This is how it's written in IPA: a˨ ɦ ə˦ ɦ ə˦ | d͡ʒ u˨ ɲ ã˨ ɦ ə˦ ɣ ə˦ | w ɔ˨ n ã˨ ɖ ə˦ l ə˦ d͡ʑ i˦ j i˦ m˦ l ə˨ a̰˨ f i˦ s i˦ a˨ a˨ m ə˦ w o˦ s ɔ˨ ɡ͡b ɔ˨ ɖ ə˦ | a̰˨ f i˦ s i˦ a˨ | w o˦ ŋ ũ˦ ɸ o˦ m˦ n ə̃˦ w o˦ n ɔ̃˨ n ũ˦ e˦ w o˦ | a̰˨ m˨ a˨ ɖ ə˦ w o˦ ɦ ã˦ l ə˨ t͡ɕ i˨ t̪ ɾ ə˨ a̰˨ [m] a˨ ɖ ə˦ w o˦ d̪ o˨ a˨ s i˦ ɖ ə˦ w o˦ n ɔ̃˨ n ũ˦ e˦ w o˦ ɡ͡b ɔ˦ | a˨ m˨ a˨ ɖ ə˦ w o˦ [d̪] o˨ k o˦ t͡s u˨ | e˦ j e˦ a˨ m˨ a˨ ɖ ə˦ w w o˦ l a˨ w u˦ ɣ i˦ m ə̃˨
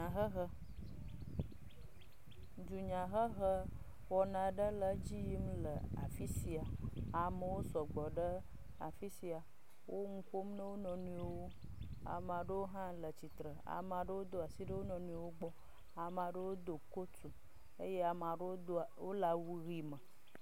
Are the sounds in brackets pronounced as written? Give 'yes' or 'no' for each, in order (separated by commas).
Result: yes, yes